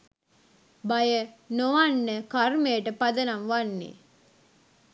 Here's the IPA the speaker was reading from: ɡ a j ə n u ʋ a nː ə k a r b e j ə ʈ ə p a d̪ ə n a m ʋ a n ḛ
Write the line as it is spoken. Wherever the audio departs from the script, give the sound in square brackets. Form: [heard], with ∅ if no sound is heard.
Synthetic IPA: [b] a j ə n [o] ʋ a nː ə k a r [m] e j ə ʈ ə p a d̪ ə n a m ʋ a [nː] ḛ